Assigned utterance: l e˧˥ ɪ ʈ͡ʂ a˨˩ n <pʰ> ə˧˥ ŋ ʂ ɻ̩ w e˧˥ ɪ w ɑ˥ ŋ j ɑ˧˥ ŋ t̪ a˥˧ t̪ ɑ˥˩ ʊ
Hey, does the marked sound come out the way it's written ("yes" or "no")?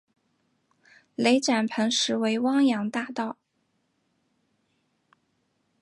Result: yes